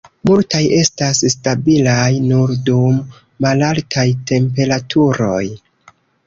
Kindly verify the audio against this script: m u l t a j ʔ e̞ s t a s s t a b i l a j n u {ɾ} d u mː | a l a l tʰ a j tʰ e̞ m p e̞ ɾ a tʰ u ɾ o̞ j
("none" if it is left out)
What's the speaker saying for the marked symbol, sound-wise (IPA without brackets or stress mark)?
ɾ